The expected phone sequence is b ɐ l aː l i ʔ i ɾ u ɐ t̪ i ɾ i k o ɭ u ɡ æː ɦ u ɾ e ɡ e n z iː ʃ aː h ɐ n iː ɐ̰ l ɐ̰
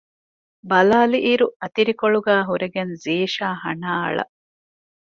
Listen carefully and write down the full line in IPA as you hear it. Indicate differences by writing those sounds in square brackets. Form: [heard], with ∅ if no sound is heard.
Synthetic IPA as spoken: b ɐ l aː l i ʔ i ɾ u ɐ t̪ i ɾ i k o ɭ u ɡ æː ɦ u ɾ e ɡ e n z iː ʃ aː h ɐ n [aː] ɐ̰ [ɭ] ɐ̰